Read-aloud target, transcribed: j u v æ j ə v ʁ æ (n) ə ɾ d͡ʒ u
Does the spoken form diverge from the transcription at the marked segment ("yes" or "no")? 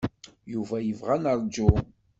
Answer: no